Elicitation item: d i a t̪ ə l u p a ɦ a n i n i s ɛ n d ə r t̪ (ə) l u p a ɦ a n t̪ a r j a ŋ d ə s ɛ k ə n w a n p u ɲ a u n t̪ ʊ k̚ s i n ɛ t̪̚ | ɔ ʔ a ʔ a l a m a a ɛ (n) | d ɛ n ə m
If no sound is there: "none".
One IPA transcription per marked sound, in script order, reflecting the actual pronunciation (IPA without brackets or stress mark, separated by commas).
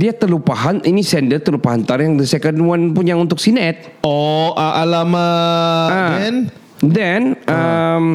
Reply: ə, n